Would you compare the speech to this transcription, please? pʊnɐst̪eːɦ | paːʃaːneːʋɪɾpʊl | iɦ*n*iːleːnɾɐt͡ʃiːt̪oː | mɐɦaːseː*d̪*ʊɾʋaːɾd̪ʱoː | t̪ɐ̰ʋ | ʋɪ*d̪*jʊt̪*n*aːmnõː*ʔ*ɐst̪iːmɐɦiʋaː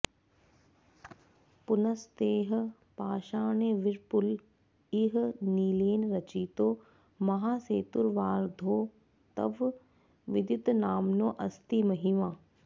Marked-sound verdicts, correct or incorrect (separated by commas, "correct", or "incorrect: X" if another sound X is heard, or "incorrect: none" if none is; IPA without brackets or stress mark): correct, incorrect: t̪, correct, correct, correct